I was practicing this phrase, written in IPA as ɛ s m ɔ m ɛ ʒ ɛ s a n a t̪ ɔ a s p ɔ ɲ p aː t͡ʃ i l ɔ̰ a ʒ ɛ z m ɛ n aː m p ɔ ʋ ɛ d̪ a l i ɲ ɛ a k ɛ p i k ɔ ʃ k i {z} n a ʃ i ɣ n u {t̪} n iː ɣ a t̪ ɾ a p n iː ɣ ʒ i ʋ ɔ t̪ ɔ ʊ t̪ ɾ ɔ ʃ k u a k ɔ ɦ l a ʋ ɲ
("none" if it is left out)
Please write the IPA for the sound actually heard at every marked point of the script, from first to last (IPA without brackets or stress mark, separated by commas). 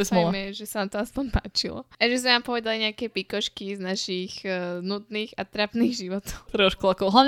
z, d̪